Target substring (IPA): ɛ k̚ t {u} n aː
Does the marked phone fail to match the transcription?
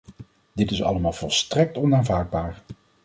yes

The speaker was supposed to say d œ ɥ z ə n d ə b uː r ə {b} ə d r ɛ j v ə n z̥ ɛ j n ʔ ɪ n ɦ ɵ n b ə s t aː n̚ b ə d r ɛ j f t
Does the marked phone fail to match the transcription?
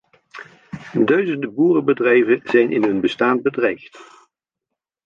no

